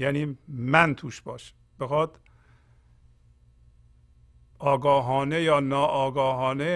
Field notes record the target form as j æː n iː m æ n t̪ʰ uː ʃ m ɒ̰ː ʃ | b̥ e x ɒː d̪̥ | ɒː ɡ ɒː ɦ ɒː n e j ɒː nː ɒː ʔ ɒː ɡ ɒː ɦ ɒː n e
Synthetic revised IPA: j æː n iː m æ n t̪ʰ uː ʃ b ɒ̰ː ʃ | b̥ e x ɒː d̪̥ | ɒː ɡ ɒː ɦ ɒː n e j ɒː n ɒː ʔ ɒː ɡ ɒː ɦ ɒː n e